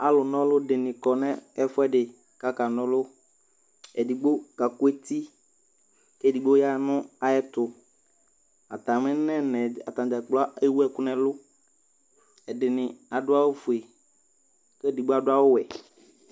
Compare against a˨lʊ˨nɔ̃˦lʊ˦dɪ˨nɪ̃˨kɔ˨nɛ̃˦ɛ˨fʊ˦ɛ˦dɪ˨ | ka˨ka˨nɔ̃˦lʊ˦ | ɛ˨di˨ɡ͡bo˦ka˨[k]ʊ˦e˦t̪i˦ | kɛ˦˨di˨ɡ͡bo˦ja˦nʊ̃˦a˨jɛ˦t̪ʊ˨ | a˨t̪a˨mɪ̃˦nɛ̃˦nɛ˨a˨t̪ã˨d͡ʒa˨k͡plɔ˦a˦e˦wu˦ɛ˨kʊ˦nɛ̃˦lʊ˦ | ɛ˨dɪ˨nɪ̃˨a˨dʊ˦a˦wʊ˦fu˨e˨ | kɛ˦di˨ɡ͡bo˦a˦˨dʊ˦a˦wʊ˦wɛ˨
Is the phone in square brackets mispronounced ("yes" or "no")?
no